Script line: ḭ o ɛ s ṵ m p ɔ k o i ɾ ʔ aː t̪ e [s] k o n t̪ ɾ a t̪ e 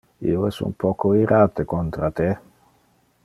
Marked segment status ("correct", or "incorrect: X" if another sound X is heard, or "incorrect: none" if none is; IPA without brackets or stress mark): incorrect: none